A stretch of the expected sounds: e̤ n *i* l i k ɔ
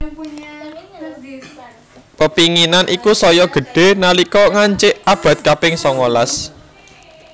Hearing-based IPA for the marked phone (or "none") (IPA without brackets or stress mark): a